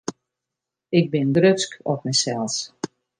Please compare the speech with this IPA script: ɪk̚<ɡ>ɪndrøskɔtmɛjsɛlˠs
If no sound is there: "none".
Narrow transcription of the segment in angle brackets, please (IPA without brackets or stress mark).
b